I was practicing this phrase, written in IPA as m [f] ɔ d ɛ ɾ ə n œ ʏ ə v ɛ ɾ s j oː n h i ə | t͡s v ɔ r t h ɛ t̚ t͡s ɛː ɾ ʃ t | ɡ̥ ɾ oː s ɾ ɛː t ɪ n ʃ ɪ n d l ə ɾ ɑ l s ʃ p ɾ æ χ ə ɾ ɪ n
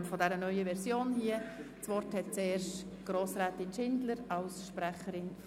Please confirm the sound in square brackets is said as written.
yes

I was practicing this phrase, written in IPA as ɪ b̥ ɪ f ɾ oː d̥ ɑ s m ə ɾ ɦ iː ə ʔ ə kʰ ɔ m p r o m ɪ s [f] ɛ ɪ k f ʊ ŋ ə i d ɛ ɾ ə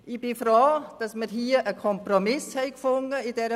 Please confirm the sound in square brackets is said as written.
no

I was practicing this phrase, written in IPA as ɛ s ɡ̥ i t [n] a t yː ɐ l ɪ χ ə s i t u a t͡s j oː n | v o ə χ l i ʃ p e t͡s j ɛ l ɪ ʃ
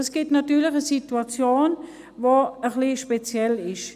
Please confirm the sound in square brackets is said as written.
yes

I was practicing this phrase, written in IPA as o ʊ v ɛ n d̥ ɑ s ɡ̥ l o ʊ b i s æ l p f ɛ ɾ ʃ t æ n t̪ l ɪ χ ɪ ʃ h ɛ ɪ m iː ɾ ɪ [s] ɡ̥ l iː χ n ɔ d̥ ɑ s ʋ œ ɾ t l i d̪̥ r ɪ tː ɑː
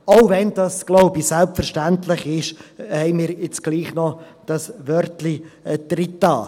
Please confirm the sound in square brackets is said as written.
no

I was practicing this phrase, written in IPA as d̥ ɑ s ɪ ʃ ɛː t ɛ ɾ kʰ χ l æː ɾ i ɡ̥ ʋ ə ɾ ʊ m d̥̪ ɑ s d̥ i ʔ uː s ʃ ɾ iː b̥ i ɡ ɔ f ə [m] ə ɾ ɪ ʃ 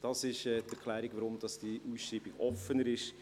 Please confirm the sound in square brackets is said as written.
no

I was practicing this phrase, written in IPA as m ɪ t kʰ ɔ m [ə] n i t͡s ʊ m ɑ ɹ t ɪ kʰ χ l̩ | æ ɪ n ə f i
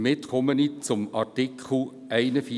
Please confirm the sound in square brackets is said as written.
yes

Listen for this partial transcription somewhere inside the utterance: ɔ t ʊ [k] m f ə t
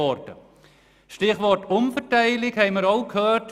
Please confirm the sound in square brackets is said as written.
no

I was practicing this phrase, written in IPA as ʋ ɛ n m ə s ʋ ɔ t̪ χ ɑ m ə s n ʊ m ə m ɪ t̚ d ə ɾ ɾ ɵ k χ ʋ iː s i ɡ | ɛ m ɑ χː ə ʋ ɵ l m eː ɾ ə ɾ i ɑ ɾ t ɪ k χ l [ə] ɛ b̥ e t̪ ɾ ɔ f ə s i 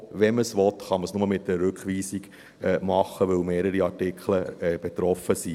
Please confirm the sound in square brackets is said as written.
yes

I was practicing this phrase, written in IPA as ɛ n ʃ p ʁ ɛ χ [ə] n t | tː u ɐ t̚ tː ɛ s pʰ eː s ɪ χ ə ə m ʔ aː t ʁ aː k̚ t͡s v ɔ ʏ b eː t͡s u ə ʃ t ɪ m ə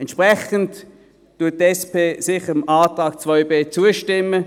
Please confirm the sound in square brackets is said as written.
yes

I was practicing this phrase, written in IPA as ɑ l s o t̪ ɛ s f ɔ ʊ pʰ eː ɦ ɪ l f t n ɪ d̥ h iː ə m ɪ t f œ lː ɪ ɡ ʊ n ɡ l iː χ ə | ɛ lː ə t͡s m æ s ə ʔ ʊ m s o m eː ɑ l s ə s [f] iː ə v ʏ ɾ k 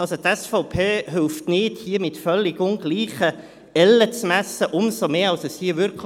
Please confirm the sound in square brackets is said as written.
no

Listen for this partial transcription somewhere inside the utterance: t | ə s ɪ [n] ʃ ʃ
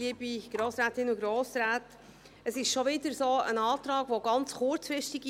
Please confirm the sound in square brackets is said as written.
no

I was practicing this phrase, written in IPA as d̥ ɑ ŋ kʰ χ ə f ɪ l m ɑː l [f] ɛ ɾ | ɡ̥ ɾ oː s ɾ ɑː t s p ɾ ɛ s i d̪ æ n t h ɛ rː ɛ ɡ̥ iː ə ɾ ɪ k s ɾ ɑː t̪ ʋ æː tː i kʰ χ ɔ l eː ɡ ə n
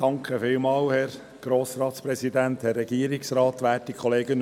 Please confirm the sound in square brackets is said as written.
no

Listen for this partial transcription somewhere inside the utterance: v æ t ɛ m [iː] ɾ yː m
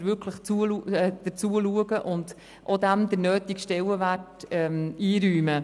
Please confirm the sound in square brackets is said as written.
yes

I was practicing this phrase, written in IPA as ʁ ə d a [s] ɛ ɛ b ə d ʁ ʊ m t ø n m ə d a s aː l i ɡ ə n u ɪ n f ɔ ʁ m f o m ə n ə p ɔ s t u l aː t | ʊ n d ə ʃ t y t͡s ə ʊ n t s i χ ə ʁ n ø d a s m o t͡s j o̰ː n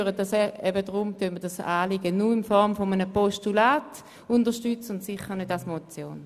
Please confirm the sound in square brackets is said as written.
yes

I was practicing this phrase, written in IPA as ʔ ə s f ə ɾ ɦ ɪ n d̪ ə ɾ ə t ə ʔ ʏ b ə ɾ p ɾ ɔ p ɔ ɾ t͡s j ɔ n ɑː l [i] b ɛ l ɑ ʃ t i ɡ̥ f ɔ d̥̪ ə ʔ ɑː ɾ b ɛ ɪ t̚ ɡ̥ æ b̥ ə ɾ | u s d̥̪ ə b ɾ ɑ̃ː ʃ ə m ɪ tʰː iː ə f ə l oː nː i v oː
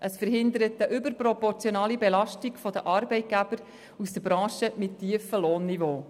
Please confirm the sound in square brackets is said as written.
yes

